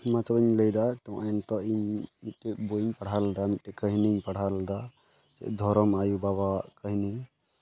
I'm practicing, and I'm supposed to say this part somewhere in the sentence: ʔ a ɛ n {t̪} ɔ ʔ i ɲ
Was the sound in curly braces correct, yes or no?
yes